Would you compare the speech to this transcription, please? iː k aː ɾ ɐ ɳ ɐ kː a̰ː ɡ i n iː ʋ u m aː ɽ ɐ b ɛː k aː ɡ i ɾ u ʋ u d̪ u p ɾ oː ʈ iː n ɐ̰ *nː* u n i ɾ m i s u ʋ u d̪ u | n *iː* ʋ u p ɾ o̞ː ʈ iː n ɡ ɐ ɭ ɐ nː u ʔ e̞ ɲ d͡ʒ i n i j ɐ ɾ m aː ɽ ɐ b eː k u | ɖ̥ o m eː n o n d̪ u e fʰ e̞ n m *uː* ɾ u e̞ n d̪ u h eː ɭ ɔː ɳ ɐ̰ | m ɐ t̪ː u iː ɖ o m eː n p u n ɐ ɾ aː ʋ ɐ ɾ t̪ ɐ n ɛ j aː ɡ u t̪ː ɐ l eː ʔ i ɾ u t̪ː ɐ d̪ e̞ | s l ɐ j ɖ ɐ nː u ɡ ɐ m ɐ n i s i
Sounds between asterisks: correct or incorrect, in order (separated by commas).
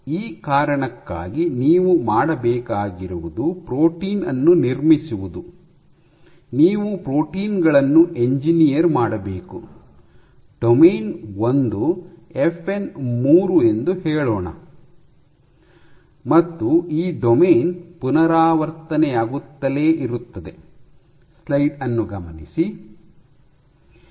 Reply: correct, correct, correct